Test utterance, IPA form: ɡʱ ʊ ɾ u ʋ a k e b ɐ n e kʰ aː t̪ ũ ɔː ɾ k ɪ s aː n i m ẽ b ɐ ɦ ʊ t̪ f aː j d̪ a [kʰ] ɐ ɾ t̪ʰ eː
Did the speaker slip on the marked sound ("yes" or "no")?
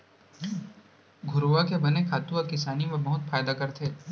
yes